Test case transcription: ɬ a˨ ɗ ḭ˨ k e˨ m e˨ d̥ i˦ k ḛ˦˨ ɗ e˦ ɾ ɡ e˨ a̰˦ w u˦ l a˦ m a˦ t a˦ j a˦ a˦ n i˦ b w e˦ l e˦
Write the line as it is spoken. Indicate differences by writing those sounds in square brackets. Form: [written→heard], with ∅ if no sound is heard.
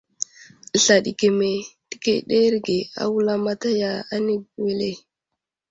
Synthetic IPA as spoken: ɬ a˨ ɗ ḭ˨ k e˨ m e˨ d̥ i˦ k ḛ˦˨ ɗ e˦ ɾ ɡ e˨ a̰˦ w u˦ l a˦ m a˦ t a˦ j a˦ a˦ n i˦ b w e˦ l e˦